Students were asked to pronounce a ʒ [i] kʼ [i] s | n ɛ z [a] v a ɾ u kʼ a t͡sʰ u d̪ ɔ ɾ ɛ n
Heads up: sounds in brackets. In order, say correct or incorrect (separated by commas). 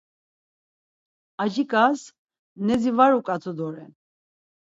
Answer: correct, incorrect, incorrect